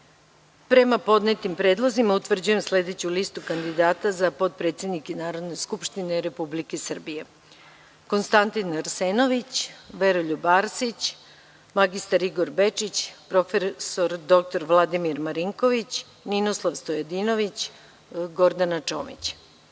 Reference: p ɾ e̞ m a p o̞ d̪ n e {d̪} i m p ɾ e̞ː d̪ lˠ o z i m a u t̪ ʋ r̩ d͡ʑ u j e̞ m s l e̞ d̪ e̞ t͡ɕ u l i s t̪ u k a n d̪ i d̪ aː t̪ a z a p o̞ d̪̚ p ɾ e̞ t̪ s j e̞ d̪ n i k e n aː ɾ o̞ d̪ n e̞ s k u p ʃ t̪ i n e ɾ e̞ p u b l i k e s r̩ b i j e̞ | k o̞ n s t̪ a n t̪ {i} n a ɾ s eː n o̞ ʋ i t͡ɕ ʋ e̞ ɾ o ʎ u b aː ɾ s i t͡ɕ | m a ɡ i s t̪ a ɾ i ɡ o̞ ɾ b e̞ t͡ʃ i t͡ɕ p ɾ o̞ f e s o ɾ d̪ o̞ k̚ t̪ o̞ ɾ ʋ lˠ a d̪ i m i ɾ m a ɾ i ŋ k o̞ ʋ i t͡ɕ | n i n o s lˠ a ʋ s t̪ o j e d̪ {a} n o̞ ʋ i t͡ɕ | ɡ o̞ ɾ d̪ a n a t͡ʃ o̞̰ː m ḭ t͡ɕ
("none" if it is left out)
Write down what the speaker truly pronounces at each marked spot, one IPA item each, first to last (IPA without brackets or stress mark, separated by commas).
t̪, i, i